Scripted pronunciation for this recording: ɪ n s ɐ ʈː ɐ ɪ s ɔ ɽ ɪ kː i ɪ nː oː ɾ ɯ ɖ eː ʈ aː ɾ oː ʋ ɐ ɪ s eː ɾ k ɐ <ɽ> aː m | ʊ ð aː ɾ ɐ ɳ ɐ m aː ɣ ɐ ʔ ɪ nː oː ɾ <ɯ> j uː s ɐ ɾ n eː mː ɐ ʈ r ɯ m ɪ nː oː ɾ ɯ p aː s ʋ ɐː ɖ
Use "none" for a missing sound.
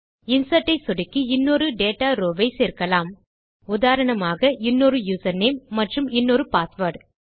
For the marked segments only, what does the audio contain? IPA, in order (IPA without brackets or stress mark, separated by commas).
l, ɯ